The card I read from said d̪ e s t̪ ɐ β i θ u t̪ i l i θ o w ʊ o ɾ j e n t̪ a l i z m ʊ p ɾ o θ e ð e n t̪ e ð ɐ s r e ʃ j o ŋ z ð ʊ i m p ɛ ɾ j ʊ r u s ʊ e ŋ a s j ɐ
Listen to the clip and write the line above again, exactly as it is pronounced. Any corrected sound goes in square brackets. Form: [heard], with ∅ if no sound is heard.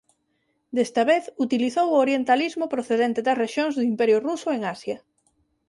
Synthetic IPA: d̪ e s t̪ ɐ β [e] θ u t̪ i l i θ o w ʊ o ɾ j e n t̪ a l i z m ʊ p ɾ o θ e ð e n t̪ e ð ɐ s r e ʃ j o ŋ z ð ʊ i m p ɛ ɾ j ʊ r u s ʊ e ŋ a s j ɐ